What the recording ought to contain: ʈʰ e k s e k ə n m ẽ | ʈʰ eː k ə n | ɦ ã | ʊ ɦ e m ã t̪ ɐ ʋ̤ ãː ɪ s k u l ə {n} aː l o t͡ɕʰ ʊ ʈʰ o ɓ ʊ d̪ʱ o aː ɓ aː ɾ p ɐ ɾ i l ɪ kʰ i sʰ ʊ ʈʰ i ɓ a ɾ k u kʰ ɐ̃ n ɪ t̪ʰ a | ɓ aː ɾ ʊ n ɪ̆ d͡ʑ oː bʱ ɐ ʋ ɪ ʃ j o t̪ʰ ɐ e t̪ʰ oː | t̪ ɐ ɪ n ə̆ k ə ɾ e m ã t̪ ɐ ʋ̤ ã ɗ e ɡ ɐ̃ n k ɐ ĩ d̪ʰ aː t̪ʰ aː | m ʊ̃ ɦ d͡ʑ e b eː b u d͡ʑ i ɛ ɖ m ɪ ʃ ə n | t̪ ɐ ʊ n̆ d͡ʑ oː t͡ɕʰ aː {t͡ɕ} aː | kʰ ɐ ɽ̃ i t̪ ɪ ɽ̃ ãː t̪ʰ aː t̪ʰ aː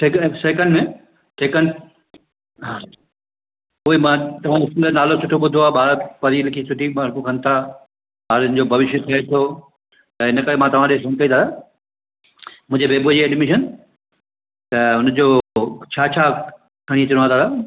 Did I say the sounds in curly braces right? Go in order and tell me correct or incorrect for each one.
correct, incorrect

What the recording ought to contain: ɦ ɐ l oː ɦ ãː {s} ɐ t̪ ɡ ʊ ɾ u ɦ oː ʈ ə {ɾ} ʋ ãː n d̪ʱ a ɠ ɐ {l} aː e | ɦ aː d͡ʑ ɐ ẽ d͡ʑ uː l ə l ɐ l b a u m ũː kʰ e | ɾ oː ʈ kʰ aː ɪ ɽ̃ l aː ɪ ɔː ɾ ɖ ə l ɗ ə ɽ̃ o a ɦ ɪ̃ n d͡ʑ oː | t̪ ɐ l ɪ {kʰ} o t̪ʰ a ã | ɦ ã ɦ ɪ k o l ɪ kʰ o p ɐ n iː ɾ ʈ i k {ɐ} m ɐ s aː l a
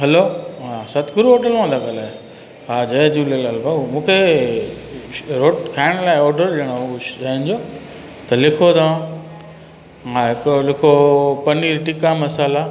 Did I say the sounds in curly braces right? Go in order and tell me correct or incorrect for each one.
correct, incorrect, correct, correct, incorrect

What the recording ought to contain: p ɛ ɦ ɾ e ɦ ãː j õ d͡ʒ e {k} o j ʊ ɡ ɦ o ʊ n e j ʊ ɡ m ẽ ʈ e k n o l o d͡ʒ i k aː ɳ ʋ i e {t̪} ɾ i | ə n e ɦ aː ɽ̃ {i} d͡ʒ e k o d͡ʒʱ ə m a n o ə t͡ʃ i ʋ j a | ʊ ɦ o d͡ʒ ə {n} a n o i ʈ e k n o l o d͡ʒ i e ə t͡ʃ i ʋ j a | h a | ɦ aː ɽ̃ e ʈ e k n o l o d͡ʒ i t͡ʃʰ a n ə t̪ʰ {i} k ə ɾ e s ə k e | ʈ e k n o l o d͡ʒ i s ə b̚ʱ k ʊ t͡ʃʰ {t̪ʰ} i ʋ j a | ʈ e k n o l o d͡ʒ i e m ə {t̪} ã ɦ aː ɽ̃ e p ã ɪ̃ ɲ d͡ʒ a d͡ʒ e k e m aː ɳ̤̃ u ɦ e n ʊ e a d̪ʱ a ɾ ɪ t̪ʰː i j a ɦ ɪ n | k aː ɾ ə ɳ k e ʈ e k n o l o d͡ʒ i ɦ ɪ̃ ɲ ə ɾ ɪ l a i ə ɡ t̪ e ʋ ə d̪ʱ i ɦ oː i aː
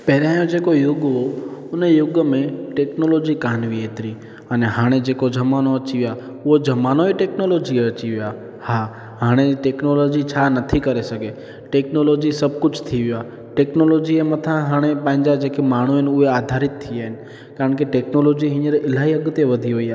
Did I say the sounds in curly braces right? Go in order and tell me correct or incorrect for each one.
correct, correct, incorrect, incorrect, correct, correct, incorrect

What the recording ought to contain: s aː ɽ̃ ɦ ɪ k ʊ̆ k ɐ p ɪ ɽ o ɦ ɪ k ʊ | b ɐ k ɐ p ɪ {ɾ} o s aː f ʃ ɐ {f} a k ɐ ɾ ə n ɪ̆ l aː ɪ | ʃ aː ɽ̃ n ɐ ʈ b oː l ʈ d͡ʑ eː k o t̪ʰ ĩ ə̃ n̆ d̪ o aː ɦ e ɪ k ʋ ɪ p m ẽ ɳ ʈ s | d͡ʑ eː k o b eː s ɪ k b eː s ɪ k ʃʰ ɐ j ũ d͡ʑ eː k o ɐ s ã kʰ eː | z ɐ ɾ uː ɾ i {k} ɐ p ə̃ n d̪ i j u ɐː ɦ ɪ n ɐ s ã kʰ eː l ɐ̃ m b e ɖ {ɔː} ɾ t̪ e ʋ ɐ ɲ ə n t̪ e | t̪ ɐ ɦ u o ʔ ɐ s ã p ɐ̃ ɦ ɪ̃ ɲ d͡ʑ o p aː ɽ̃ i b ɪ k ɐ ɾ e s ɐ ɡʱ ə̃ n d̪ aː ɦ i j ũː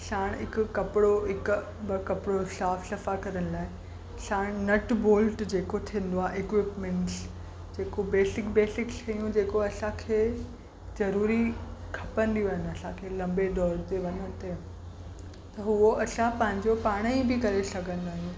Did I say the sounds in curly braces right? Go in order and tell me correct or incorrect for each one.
incorrect, correct, incorrect, correct

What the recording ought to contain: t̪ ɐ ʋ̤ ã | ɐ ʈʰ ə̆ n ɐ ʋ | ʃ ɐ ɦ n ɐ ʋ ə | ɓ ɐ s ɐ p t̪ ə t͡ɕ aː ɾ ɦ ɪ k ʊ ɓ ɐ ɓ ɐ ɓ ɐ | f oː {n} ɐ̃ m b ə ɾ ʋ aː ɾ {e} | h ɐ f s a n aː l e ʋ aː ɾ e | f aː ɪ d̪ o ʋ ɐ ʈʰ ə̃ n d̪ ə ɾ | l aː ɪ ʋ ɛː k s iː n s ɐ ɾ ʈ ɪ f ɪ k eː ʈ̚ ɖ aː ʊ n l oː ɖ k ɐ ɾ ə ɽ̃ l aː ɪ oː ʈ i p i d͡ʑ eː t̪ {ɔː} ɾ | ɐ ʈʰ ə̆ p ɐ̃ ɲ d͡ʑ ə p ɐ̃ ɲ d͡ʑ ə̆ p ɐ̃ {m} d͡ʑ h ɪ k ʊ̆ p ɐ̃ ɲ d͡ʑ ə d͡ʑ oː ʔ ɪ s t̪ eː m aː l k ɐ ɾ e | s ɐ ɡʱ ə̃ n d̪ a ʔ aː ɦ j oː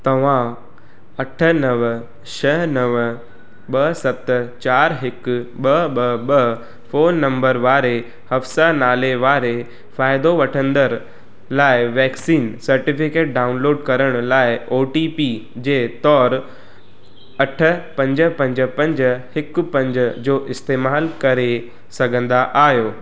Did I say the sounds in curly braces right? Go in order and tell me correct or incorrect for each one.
incorrect, correct, correct, incorrect

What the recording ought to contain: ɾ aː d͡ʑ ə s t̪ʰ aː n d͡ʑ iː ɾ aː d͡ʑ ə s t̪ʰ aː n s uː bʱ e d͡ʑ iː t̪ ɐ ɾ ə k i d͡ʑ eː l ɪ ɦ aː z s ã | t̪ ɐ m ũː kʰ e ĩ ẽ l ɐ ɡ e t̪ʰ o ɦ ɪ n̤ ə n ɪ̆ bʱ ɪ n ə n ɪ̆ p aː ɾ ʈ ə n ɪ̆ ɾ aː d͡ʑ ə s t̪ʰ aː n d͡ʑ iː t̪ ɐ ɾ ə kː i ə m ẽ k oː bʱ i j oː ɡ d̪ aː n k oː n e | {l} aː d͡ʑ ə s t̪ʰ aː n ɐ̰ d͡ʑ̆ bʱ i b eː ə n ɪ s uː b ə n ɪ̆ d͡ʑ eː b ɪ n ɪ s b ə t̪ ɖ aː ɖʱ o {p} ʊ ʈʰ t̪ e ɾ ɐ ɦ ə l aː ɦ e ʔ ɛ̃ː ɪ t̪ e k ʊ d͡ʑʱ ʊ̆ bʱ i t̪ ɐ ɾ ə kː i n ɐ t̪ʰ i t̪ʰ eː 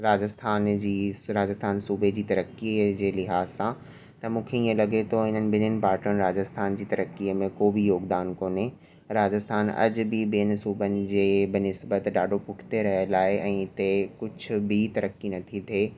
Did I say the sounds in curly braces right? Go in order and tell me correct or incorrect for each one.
incorrect, correct

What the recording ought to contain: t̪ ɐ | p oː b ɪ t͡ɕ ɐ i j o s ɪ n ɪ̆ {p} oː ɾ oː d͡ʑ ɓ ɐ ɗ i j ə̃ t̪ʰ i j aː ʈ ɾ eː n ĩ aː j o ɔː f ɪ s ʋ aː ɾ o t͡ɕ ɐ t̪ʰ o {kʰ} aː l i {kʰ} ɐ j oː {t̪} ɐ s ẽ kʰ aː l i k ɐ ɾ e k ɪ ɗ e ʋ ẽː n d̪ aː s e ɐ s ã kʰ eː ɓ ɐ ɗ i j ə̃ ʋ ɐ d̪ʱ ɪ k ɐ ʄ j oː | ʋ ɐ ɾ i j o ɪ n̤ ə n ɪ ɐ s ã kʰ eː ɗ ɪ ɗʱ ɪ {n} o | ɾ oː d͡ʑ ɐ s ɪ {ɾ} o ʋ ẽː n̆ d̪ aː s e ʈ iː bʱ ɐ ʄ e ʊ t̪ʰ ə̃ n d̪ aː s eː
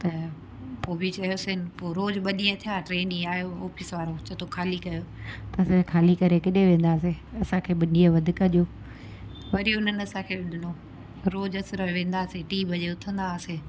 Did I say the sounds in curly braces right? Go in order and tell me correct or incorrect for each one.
correct, correct, incorrect, correct, correct, correct

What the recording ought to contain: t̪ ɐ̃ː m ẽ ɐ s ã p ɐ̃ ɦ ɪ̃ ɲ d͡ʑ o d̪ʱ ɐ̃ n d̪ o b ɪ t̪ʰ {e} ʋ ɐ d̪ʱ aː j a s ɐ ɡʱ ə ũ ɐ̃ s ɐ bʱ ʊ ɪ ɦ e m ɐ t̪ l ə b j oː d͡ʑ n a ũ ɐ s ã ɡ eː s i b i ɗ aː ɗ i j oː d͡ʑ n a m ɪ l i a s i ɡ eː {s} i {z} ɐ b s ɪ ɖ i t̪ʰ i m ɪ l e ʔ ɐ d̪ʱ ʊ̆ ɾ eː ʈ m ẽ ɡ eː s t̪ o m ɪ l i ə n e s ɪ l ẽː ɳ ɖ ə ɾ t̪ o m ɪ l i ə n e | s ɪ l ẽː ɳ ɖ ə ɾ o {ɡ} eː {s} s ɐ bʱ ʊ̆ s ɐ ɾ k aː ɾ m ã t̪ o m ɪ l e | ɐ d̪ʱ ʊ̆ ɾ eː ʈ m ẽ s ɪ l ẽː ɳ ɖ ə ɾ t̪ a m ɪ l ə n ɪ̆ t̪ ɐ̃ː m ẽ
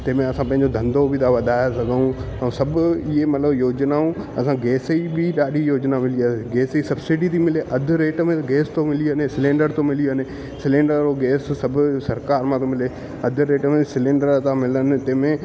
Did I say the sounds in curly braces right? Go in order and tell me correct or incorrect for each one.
incorrect, correct, incorrect, correct, correct

